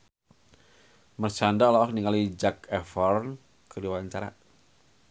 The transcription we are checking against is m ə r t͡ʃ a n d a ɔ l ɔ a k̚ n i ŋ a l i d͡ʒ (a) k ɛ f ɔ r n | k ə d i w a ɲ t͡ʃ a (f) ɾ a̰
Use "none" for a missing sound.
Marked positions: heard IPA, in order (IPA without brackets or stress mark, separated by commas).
a, none